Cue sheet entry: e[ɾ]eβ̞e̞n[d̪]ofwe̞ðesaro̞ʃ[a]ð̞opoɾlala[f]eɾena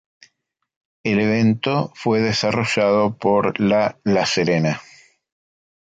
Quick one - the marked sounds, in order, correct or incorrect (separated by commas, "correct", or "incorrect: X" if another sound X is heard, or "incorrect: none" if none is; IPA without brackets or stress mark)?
incorrect: l, incorrect: t̪, correct, incorrect: s